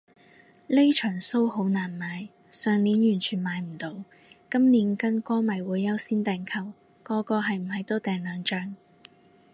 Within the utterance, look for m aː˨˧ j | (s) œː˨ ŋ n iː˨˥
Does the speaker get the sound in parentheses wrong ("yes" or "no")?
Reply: no